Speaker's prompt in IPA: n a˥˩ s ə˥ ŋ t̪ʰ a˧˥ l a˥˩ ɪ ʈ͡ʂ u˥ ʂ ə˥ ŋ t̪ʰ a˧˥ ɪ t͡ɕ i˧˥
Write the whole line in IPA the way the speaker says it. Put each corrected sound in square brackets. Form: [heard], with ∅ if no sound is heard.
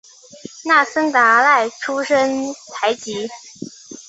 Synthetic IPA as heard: n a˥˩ s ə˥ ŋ [t̪] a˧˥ l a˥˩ ɪ [ʈ͡ʂʰ] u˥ ʂ ə˥ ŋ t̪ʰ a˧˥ ɪ t͡ɕ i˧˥